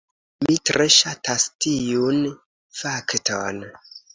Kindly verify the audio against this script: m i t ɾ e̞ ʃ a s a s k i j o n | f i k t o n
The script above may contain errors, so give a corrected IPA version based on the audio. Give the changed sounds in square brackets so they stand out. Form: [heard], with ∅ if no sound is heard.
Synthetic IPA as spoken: m i t ɾ e̞ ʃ a [t] a s [t] i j [u] n | f [a] k t o n